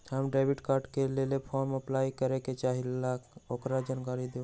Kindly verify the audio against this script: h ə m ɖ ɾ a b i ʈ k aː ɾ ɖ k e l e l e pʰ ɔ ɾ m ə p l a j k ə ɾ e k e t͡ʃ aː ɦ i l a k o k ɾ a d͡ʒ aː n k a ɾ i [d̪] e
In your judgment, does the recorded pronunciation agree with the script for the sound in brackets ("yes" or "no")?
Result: yes